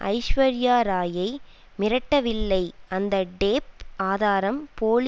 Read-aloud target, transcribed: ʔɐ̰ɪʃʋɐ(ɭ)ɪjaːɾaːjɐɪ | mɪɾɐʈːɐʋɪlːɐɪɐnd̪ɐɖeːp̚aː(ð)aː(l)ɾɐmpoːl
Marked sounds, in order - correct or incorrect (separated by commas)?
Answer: incorrect, correct, incorrect